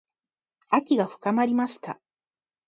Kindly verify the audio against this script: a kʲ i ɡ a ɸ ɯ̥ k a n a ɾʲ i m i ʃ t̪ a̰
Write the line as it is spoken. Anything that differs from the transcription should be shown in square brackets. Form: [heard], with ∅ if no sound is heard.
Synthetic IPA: a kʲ i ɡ a ɸ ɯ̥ k a [m] a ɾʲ i m [a] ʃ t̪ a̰